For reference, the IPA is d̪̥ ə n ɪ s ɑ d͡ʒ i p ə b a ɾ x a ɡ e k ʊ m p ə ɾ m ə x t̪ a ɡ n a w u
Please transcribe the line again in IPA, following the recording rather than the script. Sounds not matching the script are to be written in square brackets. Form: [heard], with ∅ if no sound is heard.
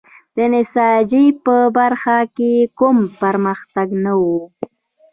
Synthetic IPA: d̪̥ ə n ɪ s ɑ d͡ʒ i p ə b a ɾ x a [k] e k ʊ m p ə ɾ m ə x t̪ a ɡ n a w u